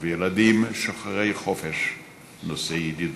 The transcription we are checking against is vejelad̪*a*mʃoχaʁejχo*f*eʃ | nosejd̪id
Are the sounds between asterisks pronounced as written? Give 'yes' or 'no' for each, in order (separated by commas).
no, yes